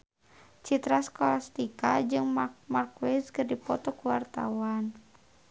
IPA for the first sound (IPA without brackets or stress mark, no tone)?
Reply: t͡ʃ